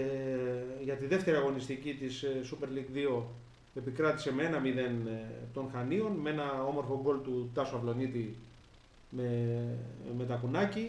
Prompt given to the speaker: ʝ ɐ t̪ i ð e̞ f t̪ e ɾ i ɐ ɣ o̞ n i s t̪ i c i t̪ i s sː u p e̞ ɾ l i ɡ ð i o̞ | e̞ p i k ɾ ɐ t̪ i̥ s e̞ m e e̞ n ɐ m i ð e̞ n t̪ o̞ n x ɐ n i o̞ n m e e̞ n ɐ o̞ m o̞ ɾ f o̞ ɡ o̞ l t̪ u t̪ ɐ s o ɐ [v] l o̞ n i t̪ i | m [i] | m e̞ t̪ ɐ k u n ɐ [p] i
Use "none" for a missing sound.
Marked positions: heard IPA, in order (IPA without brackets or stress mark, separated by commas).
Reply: v, e, c